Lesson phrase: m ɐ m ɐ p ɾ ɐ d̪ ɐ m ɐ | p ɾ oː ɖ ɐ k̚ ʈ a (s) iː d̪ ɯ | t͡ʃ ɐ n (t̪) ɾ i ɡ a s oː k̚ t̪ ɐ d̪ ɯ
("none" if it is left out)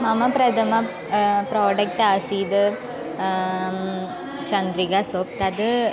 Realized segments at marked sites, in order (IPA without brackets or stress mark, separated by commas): s, d̪